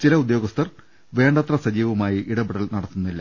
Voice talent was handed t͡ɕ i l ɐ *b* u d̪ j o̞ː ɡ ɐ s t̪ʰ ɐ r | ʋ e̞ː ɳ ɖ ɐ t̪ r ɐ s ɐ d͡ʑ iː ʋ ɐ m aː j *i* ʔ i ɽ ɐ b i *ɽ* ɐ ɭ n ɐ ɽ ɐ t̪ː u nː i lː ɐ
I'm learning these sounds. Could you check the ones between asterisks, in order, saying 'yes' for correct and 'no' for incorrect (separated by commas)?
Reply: no, yes, yes